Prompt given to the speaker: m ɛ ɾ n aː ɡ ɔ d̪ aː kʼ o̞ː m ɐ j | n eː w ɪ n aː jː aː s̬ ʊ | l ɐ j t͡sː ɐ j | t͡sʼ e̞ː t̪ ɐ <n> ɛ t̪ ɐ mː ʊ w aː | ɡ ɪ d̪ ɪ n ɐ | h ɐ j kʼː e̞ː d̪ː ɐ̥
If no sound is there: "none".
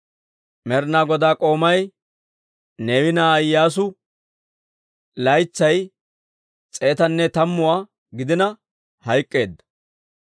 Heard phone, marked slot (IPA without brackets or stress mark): nː